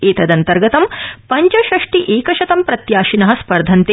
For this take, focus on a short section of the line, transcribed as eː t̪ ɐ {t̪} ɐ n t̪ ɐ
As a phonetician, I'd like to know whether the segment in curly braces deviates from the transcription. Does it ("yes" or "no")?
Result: yes